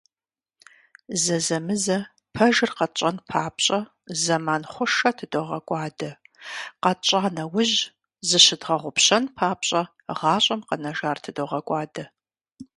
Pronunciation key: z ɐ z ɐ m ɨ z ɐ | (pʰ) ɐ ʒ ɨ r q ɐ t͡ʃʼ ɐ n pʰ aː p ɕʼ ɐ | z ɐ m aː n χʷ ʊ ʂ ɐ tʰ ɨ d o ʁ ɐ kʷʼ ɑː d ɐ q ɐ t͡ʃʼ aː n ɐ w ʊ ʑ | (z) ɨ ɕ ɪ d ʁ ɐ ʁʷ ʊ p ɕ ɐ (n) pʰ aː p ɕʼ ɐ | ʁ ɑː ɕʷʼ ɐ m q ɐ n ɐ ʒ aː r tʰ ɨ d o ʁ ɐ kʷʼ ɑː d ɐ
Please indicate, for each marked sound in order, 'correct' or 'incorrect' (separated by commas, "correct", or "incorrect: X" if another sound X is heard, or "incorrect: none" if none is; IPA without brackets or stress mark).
correct, correct, correct